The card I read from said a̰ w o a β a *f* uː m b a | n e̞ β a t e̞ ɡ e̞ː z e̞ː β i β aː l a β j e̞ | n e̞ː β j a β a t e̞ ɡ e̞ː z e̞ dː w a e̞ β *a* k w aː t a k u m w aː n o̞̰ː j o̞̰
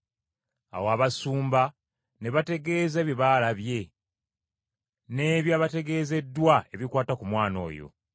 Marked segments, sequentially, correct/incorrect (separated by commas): incorrect, incorrect